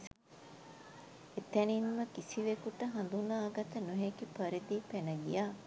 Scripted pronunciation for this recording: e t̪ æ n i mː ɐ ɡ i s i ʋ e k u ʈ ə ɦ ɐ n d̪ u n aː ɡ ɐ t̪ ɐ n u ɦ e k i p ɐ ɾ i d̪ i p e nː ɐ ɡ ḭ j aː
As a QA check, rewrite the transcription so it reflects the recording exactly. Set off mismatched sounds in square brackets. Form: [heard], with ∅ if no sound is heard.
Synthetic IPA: e t̪ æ n i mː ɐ [k] i s i ʋ e k u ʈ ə ɦ ɐ n d̪ u n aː ɡ ɐ t̪ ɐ n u ɦ e k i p ɐ ɾ i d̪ i p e [n] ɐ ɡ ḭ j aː